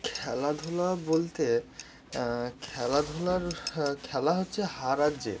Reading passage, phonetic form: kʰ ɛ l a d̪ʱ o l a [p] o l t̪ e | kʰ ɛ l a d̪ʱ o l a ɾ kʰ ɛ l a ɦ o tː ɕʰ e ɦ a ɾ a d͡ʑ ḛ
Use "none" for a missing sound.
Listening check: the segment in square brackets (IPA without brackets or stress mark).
b